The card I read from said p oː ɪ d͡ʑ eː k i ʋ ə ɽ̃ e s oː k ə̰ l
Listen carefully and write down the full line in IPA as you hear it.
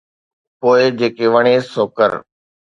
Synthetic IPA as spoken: p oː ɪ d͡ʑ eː k e ʋ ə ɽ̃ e s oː k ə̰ ɾ